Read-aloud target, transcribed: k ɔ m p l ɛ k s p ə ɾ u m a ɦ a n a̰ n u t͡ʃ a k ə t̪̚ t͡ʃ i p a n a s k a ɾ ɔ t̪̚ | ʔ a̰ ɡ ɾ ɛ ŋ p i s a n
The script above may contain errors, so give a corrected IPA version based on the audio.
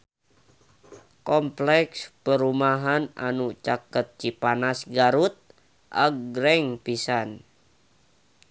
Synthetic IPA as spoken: k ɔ m p l ɛ k s p ə ɾ u m a ɦ a n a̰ n u t͡ʃ a k ə t̪̚ t͡ʃ i p a n a s ɡ a ɾ u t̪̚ | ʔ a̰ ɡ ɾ ɛ ŋ p i s a n